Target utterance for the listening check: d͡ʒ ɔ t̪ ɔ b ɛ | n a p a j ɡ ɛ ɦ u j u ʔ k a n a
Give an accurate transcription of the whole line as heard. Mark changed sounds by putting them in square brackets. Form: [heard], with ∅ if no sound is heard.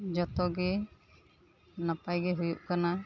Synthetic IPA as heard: d͡ʒ ɔ t̪ ɔ [ɡ] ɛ | n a p a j ɡ ɛ ɦ u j u ʔ k a n a